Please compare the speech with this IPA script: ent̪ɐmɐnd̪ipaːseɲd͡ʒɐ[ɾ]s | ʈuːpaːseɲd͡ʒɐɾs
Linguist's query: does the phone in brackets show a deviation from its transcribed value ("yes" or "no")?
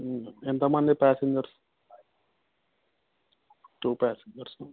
no